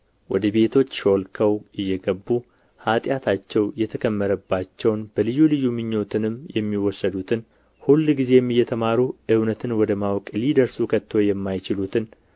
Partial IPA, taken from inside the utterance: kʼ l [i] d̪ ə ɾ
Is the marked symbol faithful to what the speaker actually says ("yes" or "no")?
yes